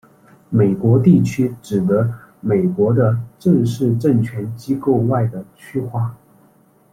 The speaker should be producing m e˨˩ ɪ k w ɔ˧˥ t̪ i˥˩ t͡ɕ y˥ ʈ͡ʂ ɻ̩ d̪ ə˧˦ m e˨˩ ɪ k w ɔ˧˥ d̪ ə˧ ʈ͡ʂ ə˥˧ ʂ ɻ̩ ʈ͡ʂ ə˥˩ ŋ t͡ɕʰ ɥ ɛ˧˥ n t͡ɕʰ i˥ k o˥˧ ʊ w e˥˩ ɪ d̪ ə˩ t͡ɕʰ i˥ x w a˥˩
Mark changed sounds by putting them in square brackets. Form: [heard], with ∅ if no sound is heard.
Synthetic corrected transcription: m e˨˩ ɪ k w ɔ˧˥ t̪ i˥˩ [t͡ɕʰ] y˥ ʈ͡ʂ ɻ̩ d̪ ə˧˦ m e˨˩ ɪ k w ɔ˧˥ d̪ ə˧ ʈ͡ʂ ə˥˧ ʂ ɻ̩ ʈ͡ʂ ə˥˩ ŋ t͡ɕʰ ɥ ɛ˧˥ n [t͡ɕ] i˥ k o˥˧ ʊ w [a˥˩] ɪ d̪ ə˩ t͡ɕʰ [y˥] x w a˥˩